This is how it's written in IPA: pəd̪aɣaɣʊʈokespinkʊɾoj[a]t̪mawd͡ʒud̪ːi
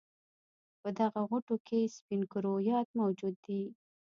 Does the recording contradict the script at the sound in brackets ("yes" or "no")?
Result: yes